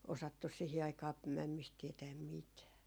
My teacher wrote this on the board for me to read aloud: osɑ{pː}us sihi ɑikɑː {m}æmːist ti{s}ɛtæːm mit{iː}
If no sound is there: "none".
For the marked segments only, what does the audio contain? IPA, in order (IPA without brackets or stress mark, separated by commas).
tː, m, none, æː